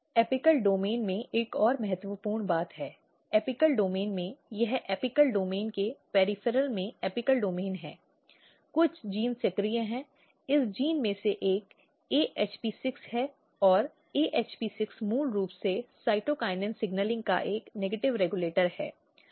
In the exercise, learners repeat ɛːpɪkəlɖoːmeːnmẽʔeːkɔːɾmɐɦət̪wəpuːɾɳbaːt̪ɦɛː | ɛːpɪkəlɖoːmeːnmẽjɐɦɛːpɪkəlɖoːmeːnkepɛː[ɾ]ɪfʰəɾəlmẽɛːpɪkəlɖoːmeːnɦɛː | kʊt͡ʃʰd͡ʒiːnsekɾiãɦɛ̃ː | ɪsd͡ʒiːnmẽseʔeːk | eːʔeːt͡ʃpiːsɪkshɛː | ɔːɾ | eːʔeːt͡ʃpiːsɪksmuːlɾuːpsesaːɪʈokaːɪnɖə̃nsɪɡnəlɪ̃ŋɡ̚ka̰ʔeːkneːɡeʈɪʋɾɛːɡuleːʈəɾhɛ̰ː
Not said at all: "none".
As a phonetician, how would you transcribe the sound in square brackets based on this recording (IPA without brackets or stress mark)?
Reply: ɾ